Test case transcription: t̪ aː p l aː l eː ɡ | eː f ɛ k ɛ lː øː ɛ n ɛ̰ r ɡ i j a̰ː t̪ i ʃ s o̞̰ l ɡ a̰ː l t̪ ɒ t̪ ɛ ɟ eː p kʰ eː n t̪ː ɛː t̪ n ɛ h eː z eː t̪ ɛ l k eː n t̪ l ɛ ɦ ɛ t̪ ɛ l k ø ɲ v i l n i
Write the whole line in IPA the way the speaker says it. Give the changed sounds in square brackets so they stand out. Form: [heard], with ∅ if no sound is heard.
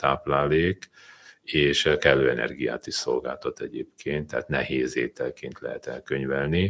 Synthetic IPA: t̪ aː p l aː l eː [k] | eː [ʃ] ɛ k ɛ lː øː ɛ n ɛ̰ r ɡ i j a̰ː t̪ i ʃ s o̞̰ l ɡ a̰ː l t̪ ɒ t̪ ɛ ɟ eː p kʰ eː n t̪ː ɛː t̪ n ɛ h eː z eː t̪ ɛ l k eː n t̪ l ɛ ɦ ɛ t̪ ɛ l k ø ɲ v [ɛ] l n i